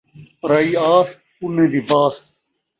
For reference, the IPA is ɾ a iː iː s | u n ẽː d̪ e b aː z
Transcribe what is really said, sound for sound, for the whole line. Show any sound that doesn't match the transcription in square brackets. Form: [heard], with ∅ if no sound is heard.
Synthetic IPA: ɾ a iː [aː] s | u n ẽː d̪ [i] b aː [s]